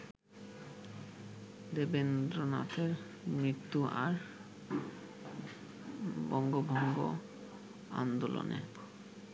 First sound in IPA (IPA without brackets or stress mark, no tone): d̪